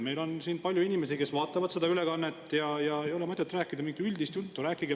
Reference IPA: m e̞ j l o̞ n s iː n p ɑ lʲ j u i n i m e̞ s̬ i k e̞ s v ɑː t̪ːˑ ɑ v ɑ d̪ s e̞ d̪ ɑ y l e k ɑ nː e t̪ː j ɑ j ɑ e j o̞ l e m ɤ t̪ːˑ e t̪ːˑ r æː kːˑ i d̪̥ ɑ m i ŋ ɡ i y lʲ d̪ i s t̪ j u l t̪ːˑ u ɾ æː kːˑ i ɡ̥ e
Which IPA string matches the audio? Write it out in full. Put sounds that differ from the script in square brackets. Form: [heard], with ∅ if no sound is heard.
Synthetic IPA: m e̞ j l o̞ n s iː n p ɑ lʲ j u i n i m e̞ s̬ i k e̞ s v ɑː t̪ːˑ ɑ v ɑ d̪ s e̞ d̪ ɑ y l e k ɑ nː e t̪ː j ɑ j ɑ e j o̞ l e m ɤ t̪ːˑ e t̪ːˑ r æː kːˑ i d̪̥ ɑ m i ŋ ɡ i y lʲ d̪ i s t̪ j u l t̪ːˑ u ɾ æː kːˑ i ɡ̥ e